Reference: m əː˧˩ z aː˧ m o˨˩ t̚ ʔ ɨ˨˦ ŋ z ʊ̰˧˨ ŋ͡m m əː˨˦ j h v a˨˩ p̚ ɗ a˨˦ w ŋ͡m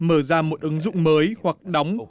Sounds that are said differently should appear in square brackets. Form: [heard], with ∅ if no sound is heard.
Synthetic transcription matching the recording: m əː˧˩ z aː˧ m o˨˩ t̚ ʔ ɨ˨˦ ŋ z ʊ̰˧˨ ŋ͡m m əː˨˦ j h [w] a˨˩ [k̚] ɗ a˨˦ w ŋ͡m

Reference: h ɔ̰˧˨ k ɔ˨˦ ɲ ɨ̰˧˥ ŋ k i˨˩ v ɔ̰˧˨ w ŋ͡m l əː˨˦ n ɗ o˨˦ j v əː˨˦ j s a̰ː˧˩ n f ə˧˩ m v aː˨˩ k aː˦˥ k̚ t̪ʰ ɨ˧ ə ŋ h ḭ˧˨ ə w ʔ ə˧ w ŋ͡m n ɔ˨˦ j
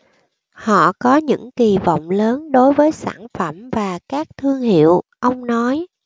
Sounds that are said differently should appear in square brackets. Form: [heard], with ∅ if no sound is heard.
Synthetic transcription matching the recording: h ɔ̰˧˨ k ɔ˨˦ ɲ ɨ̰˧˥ ŋ k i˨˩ v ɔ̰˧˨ w ŋ͡m l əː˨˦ n ɗ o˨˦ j v əː˨˦ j s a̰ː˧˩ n f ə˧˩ m v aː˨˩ k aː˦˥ k̚ t̪ʰ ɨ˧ ə ŋ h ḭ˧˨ ə w ʔ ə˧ w ŋ͡m n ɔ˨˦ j

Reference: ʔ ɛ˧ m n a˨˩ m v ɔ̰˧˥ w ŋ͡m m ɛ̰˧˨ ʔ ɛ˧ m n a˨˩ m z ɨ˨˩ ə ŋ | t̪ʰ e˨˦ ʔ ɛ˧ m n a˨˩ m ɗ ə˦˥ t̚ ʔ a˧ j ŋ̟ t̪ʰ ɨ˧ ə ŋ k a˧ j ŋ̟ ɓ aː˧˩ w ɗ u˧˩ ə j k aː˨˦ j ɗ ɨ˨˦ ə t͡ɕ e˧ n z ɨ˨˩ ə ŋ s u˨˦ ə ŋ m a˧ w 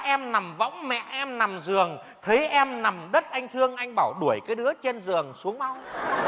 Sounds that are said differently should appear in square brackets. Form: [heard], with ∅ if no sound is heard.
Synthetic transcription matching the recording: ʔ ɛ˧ m n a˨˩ m v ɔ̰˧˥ w ŋ͡m m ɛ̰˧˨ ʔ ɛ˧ m n a˨˩ m z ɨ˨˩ ə ŋ | t̪ʰ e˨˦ ʔ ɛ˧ m n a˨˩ m ɗ ə˦˥ t̚ ʔ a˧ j ŋ̟ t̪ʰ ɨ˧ ə ŋ [ʔ] a˧ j ŋ̟ ɓ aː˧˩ w ɗ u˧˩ ə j k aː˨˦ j ɗ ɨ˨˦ ə t͡ɕ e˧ n z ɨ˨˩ ə ŋ s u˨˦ ə ŋ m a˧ w

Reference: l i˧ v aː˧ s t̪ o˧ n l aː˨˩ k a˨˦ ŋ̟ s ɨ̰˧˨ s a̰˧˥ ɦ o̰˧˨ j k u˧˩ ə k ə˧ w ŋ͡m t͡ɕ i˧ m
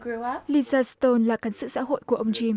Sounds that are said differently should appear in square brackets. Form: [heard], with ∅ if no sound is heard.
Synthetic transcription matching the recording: l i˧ [z] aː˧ s t̪ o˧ n l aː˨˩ k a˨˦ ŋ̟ s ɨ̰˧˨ s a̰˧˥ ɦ o̰˧˨ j k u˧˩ ə [ʔ] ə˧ w ŋ͡m t͡ɕ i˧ m

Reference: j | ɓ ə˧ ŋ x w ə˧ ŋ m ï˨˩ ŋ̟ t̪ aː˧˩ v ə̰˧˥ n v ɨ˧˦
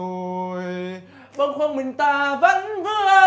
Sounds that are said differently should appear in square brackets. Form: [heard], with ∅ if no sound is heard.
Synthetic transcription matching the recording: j | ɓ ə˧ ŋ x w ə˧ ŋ m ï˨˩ ŋ̟ t̪ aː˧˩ v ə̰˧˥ n v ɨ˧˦

